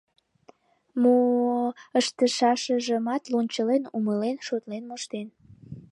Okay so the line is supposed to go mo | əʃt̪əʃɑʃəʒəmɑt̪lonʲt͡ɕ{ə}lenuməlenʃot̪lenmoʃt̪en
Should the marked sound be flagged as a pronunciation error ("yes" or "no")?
no